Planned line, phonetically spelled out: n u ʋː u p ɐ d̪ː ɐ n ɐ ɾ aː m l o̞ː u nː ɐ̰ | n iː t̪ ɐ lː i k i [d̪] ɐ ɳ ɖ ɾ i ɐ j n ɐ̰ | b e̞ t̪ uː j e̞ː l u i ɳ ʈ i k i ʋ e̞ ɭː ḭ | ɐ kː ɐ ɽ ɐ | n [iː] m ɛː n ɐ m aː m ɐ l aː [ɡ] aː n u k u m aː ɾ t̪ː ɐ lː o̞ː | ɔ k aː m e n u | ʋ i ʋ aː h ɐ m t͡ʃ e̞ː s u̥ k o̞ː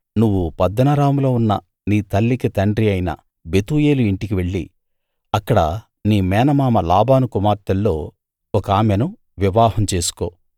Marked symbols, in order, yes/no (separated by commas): no, yes, no